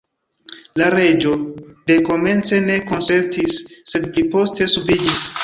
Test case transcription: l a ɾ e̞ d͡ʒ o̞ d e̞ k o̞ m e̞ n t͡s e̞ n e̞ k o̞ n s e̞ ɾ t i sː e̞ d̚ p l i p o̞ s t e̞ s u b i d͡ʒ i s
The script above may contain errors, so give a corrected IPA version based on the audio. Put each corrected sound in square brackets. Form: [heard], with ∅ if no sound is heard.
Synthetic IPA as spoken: l a ɾ e̞ d͡ʒ o̞ d e̞ k o̞ m e̞ n t͡s e̞ n e̞ k o̞ n s e̞ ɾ t i sː e̞ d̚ p l i p o̞ s t e̞ s u b i d͡ʒ i s